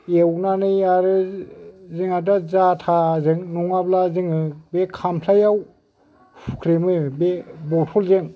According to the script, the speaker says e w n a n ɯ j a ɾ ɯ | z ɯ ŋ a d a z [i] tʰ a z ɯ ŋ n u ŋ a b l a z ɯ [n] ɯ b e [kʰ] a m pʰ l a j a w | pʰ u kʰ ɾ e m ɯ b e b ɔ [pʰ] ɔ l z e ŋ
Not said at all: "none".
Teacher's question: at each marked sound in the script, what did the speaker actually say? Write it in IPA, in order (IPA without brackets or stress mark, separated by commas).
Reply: a, ŋ, kʰ, tʰ